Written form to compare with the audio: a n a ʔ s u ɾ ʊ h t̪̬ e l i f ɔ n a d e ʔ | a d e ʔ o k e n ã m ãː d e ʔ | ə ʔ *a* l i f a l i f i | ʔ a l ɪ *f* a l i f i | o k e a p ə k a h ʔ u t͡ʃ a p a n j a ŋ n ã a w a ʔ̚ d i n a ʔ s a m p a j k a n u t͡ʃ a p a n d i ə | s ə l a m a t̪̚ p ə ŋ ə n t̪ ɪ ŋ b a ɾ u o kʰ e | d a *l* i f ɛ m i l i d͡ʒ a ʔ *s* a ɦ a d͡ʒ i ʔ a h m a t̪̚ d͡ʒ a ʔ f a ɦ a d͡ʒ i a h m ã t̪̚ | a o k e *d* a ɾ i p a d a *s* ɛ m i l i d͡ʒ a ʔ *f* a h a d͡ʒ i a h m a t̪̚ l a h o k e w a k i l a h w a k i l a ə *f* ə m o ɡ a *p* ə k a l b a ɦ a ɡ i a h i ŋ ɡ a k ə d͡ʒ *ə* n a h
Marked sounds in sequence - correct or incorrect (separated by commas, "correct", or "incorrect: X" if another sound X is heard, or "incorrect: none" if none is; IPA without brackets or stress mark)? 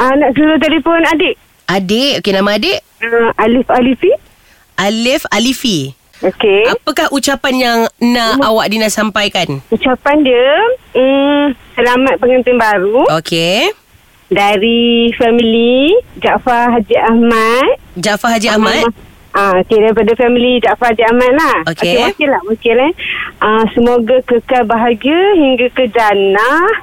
correct, correct, incorrect: ɾ, incorrect: f, correct, incorrect: f, correct, incorrect: s, incorrect: k, incorrect: a